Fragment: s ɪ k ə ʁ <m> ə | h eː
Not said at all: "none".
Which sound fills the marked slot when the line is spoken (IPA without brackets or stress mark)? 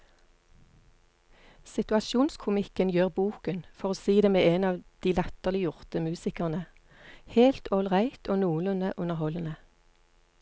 n